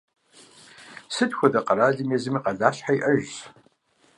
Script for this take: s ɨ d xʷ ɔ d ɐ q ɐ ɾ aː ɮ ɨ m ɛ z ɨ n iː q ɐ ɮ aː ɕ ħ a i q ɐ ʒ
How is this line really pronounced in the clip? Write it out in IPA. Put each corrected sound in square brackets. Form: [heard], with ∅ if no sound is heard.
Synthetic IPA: s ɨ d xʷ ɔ d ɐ q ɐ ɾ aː ɮ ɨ m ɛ z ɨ [m] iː q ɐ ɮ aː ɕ ħ a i [ʔ] ɐ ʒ